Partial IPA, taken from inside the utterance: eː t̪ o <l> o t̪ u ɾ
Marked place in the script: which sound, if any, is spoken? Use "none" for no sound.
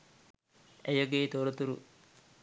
ɾ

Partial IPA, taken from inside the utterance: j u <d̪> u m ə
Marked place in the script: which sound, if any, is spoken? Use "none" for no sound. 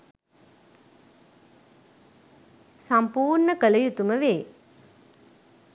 t̪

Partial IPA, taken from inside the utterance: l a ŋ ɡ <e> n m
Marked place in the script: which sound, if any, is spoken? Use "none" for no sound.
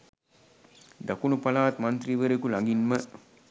i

